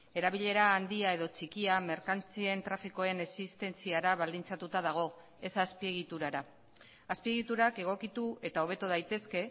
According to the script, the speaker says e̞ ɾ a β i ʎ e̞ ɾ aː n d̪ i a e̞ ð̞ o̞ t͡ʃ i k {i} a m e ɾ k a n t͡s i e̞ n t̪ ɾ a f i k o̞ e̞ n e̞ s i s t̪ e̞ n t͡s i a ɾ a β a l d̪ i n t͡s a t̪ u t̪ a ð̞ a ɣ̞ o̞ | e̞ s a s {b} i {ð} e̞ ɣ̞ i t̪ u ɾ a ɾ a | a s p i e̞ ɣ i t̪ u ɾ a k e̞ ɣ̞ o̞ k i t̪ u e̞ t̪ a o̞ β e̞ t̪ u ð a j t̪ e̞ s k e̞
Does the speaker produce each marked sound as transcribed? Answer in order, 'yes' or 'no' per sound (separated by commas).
yes, no, no